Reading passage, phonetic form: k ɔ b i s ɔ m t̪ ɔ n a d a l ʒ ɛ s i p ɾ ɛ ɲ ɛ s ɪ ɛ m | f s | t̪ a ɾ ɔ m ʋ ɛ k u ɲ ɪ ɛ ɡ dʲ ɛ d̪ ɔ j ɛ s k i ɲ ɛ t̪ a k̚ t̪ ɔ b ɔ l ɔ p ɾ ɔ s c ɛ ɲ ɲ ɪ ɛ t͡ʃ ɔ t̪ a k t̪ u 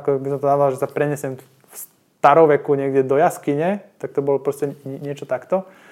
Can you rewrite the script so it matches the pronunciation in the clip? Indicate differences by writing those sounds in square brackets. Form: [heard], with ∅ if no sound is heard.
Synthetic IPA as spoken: k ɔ b i s ɔ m t̪ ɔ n a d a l ʒ ɛ s [a] p ɾ ɛ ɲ ɛ s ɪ ɛ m | f s | t̪ a ɾ ɔ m ʋ ɛ k u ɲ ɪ ɛ ɡ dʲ ɛ d̪ ɔ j [a] s k i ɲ ɛ t̪ a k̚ t̪ ɔ b ɔ l ɔ p ɾ ɔ s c ɛ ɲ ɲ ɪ ɛ t͡ʃ ɔ t̪ a k t̪ [ɔ]